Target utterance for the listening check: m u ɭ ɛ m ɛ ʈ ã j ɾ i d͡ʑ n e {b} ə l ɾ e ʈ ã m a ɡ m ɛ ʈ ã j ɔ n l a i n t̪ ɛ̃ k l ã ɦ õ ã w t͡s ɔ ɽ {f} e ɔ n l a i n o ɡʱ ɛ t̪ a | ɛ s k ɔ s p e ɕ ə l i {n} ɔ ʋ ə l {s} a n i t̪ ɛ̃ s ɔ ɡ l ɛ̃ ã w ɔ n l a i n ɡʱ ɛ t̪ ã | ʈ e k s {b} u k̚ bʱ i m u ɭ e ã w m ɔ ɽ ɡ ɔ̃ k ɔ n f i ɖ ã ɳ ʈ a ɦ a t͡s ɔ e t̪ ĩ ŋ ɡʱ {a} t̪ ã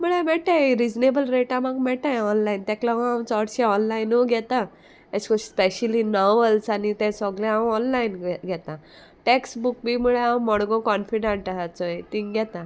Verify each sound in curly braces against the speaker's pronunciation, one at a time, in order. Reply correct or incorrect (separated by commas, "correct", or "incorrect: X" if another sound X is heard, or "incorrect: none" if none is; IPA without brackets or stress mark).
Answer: correct, incorrect: ɕ, correct, correct, correct, incorrect: ɛ